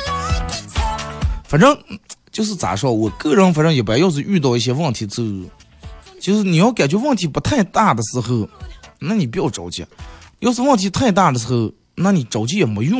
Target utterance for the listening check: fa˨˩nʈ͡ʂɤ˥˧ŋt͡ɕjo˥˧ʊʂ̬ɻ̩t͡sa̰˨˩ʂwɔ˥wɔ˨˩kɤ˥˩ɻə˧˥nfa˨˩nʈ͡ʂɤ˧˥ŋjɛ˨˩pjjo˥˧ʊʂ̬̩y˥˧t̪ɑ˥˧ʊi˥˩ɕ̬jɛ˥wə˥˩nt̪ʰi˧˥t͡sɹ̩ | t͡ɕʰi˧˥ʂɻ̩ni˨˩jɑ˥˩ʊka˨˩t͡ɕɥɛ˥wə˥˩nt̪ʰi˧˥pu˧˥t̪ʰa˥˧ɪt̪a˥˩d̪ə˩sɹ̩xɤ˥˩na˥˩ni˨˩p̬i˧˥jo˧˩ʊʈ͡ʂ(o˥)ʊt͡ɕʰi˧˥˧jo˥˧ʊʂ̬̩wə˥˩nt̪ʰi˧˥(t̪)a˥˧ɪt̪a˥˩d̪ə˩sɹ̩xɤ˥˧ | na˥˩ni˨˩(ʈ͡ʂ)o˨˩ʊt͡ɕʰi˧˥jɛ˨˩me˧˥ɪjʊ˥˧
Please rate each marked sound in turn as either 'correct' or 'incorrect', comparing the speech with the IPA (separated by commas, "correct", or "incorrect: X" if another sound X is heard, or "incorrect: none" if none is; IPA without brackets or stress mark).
incorrect: o˨˩, incorrect: t̪ʰ, correct